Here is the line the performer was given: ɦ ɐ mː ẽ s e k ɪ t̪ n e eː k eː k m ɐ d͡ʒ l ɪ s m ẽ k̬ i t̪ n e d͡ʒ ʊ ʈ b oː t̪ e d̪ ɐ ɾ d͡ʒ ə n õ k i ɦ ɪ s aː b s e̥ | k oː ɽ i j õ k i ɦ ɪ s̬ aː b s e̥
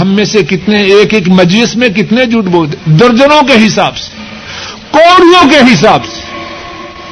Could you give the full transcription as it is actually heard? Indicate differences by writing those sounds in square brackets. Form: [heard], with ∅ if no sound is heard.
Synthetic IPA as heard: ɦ ɐ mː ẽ s e k ɪ t̪ n e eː k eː k m ɐ d͡ʒ l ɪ s m ẽ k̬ [ɪ] t̪ n e d͡ʒ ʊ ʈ b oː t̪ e d̪ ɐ ɾ d͡ʒ ə n õ k [e] ɦ ɪ s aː b s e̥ | k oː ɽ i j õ k [e] ɦ ɪ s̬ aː b s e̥